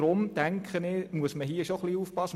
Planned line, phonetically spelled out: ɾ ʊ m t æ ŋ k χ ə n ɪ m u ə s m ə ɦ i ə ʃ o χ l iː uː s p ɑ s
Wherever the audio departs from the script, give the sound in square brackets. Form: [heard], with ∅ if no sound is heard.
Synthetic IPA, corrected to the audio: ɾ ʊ m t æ ŋ k χ ə n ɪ m u ə s m ə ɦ i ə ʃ o χ l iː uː [f] p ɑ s

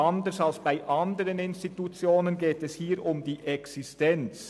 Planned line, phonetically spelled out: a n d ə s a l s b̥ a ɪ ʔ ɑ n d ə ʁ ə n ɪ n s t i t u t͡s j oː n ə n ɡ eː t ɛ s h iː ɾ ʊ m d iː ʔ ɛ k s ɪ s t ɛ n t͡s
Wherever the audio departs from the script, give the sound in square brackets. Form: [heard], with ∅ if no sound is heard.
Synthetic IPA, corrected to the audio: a n d ə s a l s b̥ a ɪ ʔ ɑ n d ə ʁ ə n ɪ n s t i t u t͡s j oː n ə n ɡ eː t ɛ s h iː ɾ ʊ m d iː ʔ ɛ k s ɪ s t ɛ n t͡s

